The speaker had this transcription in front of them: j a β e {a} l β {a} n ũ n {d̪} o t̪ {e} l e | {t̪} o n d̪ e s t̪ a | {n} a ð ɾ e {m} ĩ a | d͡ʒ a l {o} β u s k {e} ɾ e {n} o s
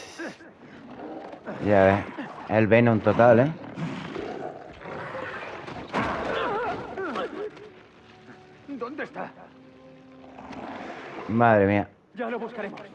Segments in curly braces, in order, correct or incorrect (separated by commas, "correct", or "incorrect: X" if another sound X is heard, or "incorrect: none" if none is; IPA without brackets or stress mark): incorrect: e, incorrect: e, incorrect: t̪, incorrect: a, incorrect: d̪, incorrect: m, correct, correct, incorrect: a, incorrect: m